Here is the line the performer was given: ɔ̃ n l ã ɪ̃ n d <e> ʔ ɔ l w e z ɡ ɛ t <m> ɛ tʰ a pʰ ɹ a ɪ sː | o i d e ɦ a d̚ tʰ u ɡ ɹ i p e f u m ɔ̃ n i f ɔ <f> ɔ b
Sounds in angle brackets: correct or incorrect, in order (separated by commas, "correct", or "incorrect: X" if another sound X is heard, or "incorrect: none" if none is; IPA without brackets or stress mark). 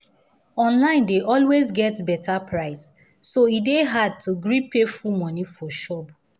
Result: correct, incorrect: b, incorrect: ʃ